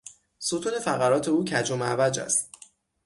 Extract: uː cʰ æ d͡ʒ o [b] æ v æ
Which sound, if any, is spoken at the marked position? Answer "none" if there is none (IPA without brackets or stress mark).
m